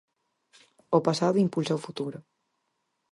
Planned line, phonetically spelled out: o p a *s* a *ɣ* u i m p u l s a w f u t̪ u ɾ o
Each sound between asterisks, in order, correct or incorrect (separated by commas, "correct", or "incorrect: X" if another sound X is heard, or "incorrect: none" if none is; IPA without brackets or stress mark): correct, incorrect: ð